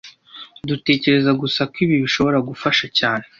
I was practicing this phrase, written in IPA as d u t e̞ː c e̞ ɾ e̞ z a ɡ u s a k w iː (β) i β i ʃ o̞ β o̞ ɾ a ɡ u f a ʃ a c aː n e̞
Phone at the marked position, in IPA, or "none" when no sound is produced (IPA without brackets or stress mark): β